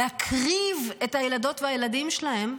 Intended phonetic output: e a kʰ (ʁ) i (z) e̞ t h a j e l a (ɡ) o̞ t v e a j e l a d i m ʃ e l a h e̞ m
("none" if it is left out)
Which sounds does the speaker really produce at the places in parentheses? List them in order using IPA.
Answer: ʁ, v, d

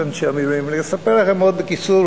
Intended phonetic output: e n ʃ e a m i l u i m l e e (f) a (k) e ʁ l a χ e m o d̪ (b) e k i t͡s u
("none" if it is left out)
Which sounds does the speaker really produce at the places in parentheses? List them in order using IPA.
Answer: s, p, b

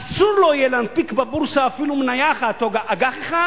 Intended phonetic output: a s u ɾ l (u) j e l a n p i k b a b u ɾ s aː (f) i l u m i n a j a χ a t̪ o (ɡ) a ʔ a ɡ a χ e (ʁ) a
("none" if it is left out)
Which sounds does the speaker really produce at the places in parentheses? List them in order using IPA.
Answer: o, f, ɡ, χ

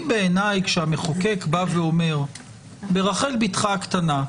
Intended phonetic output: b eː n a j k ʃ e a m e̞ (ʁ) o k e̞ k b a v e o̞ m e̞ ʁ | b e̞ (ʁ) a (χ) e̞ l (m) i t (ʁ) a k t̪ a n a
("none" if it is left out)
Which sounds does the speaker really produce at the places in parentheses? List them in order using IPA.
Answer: χ, ʁ, χ, b, χ

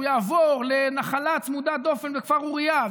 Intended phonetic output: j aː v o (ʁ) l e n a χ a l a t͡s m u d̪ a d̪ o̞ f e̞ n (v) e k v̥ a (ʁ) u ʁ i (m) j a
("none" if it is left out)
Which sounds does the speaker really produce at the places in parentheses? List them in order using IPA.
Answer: ʁ, v, ʁ, none

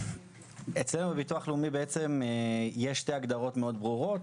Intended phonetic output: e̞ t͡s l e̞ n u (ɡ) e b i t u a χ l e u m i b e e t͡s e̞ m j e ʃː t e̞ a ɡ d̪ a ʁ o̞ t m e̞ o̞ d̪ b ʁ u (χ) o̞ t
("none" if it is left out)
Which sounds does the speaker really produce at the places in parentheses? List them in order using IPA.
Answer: b, ʁ

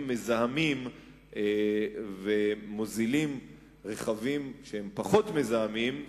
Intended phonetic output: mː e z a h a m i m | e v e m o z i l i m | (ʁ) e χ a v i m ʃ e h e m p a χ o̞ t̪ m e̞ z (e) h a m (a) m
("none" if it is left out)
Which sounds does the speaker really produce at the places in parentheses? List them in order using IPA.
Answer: ʁ, a, i

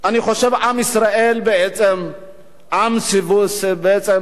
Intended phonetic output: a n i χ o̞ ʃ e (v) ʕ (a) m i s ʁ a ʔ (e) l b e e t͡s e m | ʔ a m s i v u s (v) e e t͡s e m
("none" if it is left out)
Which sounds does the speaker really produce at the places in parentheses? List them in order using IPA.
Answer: v, a, e, b

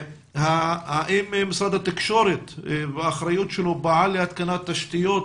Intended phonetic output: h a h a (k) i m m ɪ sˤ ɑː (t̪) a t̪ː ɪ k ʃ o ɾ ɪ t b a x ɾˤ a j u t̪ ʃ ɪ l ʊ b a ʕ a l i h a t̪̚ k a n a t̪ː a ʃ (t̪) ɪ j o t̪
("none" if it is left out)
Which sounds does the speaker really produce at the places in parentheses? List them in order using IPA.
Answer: ʔ, d̪, t̪

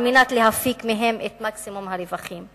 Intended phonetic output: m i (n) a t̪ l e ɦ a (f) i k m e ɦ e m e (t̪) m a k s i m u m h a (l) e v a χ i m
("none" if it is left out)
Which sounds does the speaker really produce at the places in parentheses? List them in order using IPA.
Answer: n, f, t̪, ɾ

